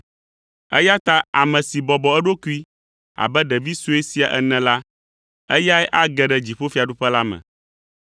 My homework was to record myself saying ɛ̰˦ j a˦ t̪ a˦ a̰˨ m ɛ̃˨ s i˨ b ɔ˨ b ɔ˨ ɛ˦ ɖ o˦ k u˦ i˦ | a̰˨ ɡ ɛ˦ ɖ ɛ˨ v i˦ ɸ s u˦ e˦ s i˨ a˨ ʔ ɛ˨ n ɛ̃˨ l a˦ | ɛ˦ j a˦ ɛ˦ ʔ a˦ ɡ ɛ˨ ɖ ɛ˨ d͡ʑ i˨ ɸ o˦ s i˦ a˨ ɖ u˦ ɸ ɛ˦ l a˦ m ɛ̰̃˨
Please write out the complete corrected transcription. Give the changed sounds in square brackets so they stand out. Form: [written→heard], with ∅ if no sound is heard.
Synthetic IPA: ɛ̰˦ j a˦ t̪ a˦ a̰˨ m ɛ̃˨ s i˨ b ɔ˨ b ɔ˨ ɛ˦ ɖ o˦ k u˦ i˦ | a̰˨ [ɡ→b] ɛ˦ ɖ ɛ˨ v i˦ [ɸ→∅] s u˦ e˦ s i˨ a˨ ʔ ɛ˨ n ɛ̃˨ l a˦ | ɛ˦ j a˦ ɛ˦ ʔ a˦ ɡ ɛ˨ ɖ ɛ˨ d͡ʑ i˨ ɸ o˦ [s→f] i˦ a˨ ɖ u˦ ɸ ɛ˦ l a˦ m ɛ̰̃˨